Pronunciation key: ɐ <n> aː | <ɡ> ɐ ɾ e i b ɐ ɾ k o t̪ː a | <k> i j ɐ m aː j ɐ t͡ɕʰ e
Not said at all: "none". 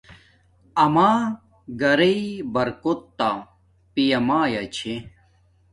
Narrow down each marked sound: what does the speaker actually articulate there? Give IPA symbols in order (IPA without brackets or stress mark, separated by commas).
m, ɡ, p